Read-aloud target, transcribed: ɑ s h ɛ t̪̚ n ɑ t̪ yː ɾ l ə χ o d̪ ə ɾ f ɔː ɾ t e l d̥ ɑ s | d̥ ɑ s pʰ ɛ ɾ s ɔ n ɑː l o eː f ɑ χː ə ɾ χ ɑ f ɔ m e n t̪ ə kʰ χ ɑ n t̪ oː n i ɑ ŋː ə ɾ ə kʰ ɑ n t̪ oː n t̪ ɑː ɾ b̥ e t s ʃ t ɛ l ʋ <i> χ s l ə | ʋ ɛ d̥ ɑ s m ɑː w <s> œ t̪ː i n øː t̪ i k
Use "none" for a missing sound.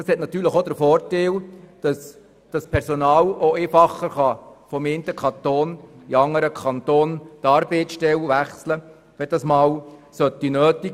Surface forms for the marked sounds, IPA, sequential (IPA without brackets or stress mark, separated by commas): æ, s